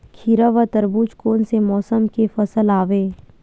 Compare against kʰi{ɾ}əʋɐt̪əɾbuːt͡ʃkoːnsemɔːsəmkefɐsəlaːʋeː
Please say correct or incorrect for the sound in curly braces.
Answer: correct